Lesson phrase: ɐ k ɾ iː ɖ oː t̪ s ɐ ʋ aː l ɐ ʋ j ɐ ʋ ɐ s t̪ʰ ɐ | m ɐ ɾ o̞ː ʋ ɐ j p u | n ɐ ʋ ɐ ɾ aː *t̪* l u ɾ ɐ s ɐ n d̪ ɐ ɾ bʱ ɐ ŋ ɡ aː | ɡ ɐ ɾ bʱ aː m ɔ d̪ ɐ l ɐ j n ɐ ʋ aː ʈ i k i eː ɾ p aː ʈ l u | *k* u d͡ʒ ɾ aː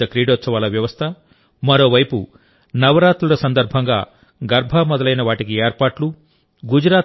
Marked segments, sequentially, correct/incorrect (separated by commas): correct, incorrect